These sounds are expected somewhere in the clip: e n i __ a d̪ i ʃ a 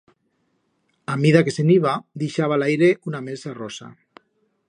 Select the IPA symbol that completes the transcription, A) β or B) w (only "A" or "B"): A